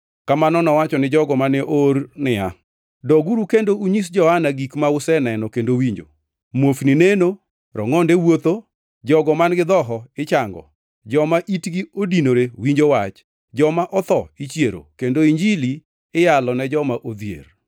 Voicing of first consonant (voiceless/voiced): voiceless